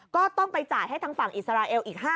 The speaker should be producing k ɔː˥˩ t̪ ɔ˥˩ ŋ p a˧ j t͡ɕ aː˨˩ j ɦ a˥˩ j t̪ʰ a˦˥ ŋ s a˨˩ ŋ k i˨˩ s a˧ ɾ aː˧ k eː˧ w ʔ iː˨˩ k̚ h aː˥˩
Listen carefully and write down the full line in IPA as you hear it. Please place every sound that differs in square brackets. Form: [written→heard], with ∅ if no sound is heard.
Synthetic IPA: k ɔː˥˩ t̪ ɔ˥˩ ŋ p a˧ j t͡ɕ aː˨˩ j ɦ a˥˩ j t̪ʰ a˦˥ ŋ [s→f] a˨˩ ŋ [k→ʔ] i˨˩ s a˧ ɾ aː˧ [k→ʔ] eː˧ w ʔ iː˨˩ k̚ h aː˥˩

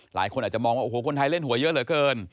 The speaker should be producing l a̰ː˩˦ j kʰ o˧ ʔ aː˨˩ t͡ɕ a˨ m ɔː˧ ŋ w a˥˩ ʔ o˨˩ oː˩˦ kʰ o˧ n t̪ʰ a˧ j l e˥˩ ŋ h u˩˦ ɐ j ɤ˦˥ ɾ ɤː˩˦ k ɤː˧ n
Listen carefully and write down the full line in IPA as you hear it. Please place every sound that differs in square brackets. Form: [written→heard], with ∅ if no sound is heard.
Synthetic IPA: l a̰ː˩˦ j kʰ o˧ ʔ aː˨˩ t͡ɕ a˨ m ɔː˧ ŋ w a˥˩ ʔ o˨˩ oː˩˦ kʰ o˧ n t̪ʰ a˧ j l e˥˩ [ŋ→n] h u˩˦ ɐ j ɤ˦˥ [ɾ→l] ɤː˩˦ k ɤː˧ n

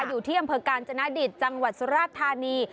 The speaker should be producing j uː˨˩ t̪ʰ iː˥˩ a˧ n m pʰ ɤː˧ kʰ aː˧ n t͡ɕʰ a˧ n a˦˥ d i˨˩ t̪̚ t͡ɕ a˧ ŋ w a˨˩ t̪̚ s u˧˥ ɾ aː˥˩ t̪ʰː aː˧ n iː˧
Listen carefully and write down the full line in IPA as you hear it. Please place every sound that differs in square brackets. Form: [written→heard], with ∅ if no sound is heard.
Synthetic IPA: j uː˨˩ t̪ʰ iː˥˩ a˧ [n→∅] m pʰ ɤː˧ [kʰ→k] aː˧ n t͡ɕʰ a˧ n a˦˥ d i˨˩ t̪̚ t͡ɕ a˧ ŋ w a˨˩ t̪̚ s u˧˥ ɾ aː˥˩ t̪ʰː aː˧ n iː˧

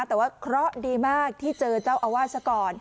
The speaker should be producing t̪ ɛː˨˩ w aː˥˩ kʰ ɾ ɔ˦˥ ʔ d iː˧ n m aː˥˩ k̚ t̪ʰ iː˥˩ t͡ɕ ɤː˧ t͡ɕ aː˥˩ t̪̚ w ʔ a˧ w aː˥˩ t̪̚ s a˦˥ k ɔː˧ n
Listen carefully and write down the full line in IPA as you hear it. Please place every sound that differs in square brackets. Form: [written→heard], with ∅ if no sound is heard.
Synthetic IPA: t̪ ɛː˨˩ w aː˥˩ kʰ ɾ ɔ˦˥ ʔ d iː˧ [n→∅] m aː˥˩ k̚ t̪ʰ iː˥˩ t͡ɕ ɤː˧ t͡ɕ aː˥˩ [t̪̚→∅] w ʔ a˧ w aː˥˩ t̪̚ s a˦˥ k ɔː˧ n

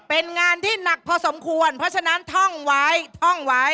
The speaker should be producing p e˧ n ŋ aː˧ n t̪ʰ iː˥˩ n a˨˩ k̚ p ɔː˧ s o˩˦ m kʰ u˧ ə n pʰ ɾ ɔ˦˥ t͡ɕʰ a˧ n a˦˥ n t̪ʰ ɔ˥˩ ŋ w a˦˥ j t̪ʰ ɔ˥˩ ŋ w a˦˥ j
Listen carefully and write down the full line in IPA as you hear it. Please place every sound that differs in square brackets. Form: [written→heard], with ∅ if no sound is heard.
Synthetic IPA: p e˧ n ŋ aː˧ n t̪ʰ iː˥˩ n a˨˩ k̚ [p→pʰ] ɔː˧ s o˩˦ m kʰ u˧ ə n pʰ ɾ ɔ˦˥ t͡ɕʰ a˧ n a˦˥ n t̪ʰ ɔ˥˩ ŋ w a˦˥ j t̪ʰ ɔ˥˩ ŋ w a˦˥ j

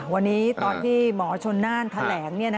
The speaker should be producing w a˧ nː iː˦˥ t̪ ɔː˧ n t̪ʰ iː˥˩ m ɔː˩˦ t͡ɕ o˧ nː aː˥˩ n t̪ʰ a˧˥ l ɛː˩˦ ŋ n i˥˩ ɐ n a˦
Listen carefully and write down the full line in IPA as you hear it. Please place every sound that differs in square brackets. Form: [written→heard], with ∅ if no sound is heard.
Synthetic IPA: w a˧ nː iː˦˥ t̪ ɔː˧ n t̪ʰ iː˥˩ m ɔː˩˦ [t͡ɕ→t͡ɕʰ] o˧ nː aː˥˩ n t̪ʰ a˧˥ l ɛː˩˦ ŋ n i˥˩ ɐ n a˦

